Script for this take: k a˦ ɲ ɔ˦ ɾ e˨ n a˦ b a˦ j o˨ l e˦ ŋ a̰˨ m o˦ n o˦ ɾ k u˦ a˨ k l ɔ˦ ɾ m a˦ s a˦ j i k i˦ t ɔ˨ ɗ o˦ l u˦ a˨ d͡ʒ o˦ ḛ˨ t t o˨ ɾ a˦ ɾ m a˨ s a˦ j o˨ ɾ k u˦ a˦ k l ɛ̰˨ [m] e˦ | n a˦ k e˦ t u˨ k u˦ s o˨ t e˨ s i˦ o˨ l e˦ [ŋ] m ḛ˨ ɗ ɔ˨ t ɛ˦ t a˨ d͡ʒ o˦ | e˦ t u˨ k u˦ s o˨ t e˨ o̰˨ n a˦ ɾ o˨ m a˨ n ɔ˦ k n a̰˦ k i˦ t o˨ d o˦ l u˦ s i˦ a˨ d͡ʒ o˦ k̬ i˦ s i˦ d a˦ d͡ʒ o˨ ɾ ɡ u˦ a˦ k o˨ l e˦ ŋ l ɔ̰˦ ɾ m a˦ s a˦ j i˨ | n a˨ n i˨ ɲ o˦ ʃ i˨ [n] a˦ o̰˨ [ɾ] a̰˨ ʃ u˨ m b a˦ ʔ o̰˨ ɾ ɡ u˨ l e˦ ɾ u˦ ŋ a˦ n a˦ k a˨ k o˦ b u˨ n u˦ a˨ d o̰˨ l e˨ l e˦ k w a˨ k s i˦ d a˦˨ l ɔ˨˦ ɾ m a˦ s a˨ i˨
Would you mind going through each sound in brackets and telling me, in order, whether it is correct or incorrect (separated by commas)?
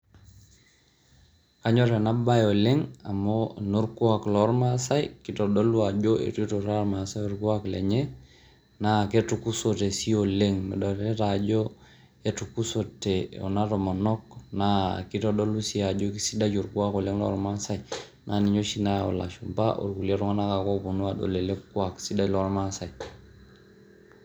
incorrect, correct, correct, incorrect